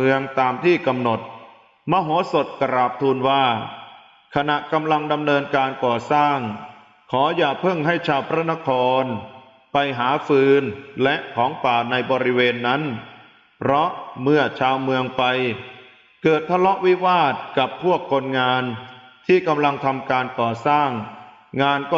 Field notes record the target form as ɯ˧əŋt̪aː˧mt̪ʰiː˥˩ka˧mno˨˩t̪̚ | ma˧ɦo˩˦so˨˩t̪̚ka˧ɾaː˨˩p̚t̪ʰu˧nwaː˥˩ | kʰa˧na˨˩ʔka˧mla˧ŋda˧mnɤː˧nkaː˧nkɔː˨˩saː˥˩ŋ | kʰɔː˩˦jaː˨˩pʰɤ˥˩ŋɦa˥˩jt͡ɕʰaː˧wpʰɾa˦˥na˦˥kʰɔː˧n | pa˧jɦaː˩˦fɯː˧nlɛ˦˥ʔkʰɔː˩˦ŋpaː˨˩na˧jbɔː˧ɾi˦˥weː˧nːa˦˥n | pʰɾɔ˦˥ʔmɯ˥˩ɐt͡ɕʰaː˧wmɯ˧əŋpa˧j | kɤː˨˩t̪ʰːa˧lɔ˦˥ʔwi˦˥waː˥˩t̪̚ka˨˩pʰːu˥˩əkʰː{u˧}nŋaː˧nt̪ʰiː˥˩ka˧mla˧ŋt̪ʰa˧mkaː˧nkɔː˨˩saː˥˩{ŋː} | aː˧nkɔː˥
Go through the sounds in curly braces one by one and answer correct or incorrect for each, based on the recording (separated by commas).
incorrect, correct